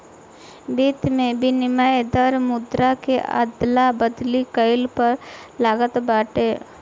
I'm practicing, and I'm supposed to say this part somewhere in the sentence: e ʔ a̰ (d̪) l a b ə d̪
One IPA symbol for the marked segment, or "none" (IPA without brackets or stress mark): d̪